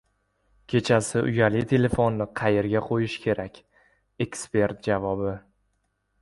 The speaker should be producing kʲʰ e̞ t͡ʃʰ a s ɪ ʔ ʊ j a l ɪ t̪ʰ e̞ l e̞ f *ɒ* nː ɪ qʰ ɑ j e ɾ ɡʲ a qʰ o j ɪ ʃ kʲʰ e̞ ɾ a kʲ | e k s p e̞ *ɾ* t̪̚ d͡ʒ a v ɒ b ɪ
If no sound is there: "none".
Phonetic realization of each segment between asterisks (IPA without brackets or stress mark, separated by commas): o, ɾ